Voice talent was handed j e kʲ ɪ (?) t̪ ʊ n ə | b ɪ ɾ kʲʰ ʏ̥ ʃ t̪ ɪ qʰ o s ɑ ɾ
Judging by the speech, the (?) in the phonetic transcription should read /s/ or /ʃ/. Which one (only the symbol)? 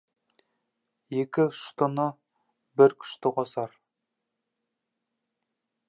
ʃ